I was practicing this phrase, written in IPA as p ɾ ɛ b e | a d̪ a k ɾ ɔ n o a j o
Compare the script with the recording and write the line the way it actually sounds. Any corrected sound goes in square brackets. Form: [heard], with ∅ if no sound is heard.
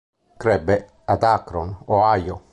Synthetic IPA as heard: [k] ɾ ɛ b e | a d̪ a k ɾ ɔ n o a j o